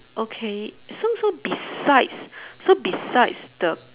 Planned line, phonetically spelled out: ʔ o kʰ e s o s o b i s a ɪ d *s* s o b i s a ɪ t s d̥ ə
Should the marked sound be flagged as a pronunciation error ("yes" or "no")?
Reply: no